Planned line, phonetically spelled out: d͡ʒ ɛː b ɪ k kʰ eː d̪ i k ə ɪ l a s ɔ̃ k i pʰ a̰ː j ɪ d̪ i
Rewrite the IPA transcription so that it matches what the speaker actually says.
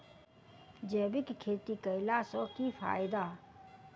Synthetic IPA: d͡ʒ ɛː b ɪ k kʰ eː t̪ i k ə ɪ l a s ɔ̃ k i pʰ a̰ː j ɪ d̪ a